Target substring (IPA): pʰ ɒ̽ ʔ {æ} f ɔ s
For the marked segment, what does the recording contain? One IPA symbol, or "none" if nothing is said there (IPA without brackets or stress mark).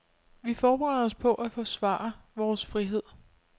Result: æ